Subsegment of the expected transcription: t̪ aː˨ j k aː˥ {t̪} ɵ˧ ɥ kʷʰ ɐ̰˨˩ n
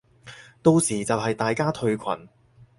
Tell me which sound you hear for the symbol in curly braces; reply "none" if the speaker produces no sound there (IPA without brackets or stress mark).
t̪ʰ